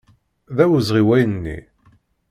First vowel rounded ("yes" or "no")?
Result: no